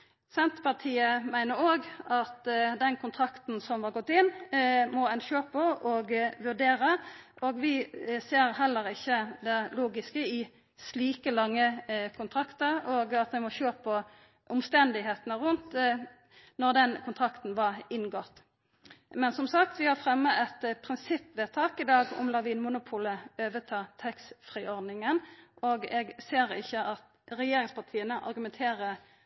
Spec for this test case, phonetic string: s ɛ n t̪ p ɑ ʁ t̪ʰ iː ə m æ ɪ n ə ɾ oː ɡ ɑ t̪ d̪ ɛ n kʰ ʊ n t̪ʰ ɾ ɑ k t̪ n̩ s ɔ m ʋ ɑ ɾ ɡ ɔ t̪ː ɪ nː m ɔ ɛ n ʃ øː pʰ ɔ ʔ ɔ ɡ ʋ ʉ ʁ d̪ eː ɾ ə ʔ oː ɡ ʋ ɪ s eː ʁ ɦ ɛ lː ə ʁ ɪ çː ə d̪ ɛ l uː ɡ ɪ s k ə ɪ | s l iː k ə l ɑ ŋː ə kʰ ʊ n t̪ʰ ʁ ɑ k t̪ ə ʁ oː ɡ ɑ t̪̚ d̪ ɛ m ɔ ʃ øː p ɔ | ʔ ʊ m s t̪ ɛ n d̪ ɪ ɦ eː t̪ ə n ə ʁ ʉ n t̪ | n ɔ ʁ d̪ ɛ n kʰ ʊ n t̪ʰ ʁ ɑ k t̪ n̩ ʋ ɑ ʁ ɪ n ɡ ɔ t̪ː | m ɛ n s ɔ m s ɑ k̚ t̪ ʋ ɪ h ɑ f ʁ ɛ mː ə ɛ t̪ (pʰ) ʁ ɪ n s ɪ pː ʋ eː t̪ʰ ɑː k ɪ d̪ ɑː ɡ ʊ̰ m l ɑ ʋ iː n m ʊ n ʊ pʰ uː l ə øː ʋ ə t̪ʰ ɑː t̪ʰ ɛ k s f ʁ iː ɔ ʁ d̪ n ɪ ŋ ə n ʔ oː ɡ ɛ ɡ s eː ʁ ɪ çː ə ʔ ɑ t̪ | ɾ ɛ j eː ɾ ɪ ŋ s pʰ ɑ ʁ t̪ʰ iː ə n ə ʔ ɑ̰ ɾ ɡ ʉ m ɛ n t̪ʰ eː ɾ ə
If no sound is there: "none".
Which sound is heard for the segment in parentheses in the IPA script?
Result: pʰ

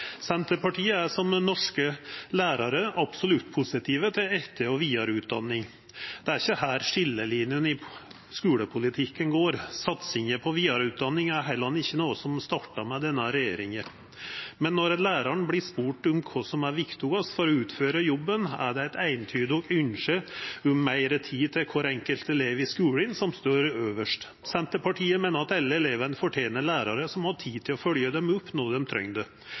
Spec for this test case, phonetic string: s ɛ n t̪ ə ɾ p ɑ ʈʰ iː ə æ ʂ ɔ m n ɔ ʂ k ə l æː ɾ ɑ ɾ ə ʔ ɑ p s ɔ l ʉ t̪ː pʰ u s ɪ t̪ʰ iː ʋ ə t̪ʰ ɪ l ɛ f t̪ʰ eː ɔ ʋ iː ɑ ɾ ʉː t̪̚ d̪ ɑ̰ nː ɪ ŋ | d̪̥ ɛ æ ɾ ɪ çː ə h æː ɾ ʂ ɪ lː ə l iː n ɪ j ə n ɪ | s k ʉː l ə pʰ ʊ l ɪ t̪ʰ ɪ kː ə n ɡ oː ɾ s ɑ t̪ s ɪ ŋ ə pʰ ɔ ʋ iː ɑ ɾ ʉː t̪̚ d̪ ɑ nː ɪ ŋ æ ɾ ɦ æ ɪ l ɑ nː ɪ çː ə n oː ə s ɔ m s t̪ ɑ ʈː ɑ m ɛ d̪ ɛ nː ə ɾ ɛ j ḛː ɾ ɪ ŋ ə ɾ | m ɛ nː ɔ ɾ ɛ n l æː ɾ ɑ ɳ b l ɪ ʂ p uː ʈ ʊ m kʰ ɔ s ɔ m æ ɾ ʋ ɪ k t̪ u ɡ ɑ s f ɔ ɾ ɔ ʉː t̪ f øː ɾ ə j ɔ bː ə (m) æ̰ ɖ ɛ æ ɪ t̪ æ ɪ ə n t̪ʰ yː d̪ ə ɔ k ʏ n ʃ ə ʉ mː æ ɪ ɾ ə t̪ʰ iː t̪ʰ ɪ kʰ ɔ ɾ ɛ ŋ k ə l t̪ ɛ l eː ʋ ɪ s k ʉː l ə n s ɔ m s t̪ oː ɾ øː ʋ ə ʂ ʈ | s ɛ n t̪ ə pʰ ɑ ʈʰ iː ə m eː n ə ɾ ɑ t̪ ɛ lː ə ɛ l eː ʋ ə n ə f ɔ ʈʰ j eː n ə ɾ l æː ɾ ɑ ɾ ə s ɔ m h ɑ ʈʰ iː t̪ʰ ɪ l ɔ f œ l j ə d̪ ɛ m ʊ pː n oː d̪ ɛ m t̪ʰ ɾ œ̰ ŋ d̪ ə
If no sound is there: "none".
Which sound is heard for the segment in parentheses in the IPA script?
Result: n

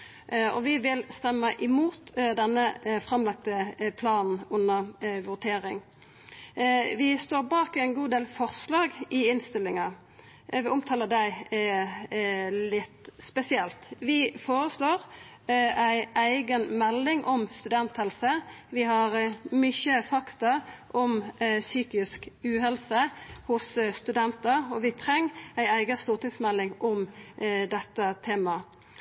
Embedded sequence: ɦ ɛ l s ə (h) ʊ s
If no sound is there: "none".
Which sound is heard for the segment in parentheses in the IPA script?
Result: h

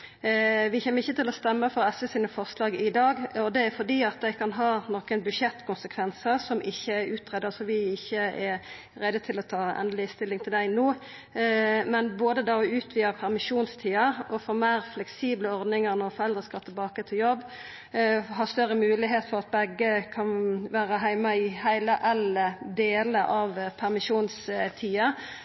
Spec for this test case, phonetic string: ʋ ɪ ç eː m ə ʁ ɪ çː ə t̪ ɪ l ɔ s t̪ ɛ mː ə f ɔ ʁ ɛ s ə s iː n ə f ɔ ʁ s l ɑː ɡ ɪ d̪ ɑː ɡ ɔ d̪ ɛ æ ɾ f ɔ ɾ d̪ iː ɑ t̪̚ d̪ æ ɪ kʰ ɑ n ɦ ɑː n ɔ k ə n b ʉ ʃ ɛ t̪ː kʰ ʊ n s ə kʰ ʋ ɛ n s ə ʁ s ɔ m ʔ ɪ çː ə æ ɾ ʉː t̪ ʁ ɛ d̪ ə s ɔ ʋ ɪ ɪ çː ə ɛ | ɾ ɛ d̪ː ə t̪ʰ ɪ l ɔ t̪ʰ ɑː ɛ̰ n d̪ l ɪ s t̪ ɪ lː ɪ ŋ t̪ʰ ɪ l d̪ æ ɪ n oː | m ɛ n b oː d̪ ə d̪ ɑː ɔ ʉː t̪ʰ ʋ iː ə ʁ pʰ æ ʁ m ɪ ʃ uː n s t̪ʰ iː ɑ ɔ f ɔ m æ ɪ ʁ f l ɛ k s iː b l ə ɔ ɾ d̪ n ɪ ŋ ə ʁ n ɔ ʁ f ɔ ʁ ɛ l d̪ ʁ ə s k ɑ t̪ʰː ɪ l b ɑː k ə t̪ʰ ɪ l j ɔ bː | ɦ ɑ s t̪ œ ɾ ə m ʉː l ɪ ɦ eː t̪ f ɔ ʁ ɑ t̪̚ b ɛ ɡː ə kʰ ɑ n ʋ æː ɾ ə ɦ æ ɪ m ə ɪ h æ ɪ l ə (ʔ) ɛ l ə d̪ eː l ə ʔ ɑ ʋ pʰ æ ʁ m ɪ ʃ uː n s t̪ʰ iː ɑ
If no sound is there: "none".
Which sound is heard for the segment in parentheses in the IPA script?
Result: ʔ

